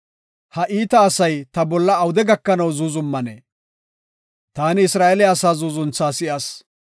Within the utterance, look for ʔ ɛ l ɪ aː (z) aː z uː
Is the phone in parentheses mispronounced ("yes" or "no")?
yes